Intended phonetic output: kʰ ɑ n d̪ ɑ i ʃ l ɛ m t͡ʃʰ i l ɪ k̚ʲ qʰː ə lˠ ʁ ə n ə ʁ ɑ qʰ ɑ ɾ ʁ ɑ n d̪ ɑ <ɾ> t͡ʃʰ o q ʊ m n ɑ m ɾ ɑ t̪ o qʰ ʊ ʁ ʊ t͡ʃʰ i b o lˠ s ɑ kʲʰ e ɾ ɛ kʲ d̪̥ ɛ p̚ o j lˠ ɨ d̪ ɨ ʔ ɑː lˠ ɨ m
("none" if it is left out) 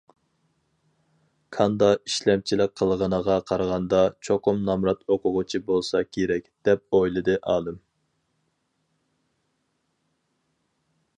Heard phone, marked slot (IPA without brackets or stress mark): none